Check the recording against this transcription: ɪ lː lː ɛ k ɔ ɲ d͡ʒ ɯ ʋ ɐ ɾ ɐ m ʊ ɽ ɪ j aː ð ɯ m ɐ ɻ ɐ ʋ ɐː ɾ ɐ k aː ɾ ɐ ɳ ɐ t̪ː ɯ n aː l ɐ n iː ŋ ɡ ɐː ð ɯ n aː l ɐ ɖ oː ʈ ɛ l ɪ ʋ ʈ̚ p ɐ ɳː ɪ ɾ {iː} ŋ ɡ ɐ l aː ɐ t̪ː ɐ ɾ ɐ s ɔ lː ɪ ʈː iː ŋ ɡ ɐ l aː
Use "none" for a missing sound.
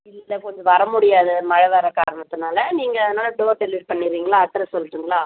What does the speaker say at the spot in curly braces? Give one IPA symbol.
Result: iː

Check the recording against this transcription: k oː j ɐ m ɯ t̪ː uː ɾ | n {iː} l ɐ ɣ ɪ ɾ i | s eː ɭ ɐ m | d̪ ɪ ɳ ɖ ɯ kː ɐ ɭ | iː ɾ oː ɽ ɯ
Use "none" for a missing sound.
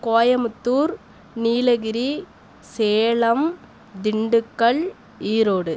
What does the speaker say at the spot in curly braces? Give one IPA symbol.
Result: iː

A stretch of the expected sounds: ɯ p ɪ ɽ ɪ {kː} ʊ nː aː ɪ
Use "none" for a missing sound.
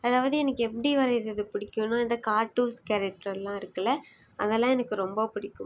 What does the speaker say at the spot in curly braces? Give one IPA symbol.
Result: kː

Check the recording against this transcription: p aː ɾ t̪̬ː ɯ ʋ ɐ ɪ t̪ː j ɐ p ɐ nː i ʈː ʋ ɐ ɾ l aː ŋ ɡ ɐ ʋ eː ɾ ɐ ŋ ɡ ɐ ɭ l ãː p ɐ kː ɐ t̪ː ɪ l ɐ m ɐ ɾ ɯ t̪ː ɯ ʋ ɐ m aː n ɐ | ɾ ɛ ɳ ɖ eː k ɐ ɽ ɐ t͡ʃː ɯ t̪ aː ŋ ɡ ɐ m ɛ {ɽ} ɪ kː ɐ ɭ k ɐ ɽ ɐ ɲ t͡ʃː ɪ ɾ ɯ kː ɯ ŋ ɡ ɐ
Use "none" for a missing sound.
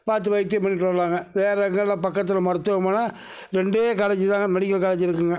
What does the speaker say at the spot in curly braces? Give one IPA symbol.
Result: ɽ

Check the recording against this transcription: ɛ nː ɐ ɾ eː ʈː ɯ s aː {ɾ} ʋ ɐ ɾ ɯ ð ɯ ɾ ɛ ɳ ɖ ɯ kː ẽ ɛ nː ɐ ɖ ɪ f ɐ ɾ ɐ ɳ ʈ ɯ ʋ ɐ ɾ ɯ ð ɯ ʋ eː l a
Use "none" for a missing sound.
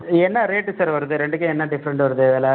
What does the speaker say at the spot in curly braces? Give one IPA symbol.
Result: ɾ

